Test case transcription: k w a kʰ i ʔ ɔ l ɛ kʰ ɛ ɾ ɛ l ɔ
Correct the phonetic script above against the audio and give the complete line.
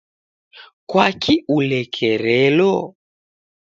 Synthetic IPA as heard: k w a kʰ i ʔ u l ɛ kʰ ɛ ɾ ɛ l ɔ